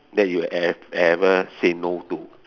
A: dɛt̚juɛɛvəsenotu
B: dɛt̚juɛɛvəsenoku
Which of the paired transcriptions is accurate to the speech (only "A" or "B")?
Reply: A